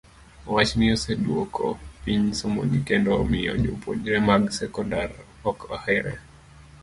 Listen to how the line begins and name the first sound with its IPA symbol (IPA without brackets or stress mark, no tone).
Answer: w